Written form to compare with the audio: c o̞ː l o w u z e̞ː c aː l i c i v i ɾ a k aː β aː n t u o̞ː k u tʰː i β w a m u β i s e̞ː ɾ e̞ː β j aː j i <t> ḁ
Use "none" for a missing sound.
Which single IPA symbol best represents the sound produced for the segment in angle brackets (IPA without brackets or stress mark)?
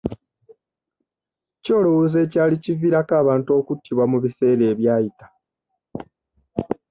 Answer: t